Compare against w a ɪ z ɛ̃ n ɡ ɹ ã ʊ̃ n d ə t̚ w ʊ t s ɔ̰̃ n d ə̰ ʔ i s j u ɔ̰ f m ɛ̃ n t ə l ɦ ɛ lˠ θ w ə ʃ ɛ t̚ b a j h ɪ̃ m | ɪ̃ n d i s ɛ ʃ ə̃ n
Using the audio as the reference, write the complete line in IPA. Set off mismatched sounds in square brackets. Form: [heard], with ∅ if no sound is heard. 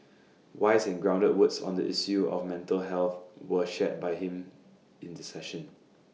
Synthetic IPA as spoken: w a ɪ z ɛ̃ n ɡ ɹ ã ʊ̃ n d ə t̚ w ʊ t s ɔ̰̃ n d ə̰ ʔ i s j u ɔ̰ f m ɛ̃ n t ə l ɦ ɛ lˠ θ w ə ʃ ɛ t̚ b a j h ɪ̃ m | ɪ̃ n d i s ɛ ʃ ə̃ n